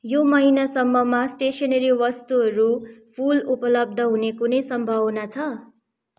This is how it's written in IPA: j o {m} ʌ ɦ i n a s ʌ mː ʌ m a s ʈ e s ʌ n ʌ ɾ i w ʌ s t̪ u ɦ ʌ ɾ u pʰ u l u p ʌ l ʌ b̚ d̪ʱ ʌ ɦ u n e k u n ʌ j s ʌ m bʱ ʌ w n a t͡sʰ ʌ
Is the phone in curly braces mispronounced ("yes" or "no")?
no